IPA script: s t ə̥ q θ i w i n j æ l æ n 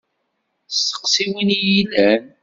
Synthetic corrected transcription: s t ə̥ q s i w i n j i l æ n